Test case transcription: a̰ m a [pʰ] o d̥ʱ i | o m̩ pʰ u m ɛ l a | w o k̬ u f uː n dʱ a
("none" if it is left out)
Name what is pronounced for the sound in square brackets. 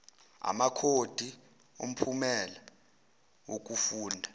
kʰ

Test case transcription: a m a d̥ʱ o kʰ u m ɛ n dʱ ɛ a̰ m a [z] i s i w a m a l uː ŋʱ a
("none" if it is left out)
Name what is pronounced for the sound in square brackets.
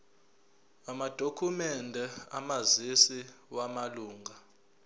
z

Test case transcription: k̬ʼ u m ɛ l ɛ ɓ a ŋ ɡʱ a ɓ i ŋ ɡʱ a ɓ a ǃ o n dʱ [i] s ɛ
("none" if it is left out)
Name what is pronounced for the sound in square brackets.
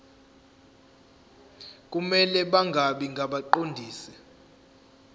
iː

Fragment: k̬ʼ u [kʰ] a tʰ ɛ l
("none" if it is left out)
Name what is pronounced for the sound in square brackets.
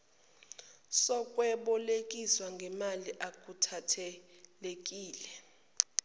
tʰ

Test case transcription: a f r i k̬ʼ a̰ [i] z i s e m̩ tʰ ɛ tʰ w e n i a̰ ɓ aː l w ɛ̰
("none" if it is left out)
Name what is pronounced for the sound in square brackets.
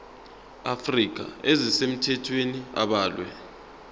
e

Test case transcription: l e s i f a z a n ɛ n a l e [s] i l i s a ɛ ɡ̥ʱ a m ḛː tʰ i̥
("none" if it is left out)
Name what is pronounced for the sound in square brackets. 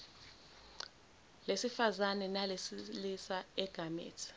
s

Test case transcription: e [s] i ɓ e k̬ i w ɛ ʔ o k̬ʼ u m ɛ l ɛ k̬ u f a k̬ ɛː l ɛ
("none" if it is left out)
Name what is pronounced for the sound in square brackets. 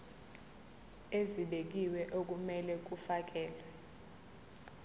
z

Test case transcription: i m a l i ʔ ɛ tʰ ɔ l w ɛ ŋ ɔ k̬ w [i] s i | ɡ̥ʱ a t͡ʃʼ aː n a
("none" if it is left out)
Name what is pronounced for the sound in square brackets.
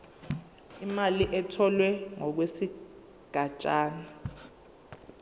e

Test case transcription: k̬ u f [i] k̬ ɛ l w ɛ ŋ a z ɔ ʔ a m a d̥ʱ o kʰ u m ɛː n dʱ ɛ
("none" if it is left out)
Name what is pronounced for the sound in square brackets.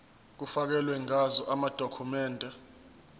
a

